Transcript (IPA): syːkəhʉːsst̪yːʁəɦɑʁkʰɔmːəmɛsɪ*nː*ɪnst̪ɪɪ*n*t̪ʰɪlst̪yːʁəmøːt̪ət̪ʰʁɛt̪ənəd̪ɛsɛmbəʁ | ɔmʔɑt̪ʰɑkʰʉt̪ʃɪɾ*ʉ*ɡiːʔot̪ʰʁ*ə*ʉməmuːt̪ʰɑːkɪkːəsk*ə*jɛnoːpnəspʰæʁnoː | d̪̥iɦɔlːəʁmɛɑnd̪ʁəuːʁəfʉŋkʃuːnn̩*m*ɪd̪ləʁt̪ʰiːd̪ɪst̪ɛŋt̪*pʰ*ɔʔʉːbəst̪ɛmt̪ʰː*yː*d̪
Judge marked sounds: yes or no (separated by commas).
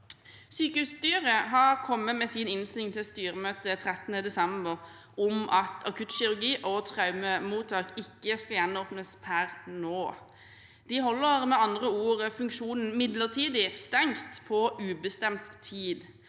no, no, yes, no, no, yes, yes, no